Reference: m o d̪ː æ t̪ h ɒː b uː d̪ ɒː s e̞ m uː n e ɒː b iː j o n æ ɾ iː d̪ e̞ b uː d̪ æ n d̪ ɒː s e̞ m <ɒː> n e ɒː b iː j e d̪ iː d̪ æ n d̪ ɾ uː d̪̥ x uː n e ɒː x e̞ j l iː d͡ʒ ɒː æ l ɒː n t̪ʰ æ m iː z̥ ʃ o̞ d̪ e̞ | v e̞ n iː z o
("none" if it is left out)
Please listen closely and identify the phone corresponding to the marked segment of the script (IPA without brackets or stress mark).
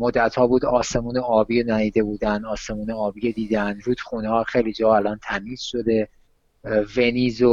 uː